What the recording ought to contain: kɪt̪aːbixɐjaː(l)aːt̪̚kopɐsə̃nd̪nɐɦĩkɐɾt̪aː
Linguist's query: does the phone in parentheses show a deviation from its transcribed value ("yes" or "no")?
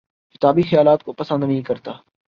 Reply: no